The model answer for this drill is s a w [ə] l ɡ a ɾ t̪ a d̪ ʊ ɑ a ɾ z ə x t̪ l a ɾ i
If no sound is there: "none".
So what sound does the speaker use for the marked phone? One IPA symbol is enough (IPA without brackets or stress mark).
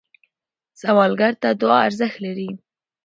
ɑ